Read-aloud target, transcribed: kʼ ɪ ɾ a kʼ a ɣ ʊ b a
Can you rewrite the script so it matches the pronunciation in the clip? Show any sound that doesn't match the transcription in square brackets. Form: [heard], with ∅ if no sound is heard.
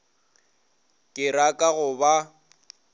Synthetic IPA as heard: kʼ ɪ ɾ a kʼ a ɣ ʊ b a